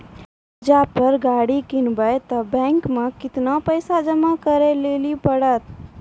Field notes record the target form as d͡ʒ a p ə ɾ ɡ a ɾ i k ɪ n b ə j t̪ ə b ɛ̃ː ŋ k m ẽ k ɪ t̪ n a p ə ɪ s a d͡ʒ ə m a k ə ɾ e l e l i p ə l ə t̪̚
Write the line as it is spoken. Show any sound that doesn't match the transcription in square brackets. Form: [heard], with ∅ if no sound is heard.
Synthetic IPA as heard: d͡ʒ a p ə ɾ ɡ a [ɽ] i k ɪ n b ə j t̪ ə b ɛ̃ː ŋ k m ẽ k ɪ t̪ n a p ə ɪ s a d͡ʒ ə m a k ə ɾ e l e l i p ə [ɽ] ə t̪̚